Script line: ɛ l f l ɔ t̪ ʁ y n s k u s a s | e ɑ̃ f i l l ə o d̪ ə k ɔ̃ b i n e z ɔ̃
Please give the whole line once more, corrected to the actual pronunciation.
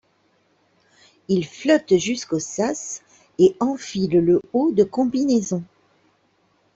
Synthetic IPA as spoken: i l f l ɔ t̪ ʒ y s k o s a s | e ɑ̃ f i l l ə o d̪ ə k ɔ̃ b i n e z ɔ̃